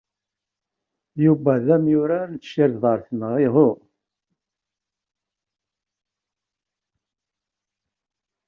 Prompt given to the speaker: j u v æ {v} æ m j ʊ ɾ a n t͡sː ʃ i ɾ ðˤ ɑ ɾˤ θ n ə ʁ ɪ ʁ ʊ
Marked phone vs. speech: incorrect: ð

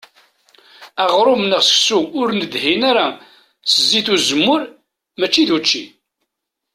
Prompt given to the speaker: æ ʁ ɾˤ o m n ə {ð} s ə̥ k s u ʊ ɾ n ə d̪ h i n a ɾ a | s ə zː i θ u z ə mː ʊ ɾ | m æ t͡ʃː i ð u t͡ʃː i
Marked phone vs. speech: incorrect: ʁ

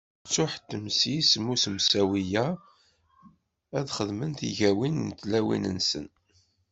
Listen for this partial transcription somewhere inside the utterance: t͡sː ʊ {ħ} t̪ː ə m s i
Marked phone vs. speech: correct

